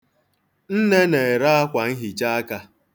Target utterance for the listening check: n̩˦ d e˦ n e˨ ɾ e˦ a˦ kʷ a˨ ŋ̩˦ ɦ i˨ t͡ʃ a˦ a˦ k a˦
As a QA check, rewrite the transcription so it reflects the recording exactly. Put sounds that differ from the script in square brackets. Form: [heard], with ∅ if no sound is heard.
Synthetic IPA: n̩˦ [n] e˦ n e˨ ɾ [a˦] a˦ kʷ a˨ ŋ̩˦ ɦ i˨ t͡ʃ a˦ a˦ k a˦